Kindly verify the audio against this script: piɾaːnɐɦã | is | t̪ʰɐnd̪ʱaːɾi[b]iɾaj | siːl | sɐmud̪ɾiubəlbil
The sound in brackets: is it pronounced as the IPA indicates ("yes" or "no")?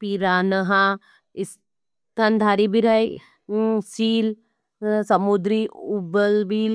yes